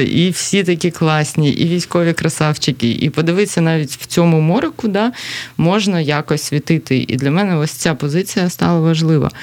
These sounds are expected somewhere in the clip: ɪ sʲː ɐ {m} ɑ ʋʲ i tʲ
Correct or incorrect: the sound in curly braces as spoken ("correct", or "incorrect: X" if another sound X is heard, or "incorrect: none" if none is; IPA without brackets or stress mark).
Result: incorrect: n